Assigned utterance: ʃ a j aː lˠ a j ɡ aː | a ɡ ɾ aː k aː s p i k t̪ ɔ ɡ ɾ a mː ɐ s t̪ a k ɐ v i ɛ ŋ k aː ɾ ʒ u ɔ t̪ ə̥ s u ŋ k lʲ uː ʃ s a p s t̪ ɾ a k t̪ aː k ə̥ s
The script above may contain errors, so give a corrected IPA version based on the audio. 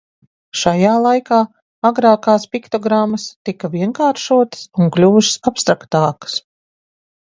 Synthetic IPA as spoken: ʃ a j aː lˠ a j k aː | a ɡ ɾ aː k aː s p i k t̪ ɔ ɡ ɾ a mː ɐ s t̪ i k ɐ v i ɛ ŋ k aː ɾ ʃ u ɔ t̪ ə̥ s u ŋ k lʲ uː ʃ s a p s t̪ ɾ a k t̪ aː k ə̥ s